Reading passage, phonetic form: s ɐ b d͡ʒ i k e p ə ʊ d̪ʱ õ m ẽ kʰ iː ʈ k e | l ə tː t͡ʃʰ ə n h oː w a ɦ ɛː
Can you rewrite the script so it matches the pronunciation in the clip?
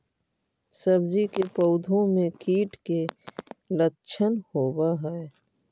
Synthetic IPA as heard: s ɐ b d͡ʒ i k e p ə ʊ d̪ʱ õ m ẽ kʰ iː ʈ k e | l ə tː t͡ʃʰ ə n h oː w a ɦ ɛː